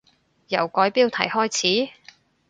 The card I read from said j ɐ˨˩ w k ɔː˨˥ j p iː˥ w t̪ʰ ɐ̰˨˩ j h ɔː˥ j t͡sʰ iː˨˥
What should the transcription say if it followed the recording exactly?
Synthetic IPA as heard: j ɐ˨˩ w k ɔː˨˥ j p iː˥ w t̪ʰ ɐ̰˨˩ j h ɔː˥ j t͡sʰ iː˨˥